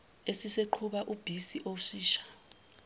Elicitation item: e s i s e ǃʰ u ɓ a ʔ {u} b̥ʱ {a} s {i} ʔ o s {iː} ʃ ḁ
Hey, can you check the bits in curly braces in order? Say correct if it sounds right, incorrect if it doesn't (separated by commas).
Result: correct, incorrect, correct, correct